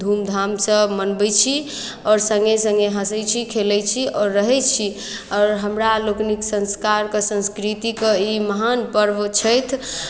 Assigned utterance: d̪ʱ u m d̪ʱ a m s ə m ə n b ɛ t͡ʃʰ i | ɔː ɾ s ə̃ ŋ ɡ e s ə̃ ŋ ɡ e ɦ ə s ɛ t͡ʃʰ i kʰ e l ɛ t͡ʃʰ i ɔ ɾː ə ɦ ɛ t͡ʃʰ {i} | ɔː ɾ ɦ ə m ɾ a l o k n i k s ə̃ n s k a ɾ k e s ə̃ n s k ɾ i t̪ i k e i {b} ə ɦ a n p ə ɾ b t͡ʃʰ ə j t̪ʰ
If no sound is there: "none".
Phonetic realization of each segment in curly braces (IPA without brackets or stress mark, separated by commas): i, m